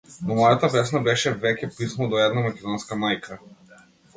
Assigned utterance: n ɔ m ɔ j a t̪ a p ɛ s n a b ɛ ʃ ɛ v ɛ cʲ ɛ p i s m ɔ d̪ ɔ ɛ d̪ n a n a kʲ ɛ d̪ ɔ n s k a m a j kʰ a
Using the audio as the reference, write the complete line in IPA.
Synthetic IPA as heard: n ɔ m ɔ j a t̪ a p ɛ s n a b ɛ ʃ ɛ v ɛ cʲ ɛ p i s m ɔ d̪ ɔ ɛ d̪ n a m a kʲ ɛ d̪ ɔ n s k a m a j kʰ a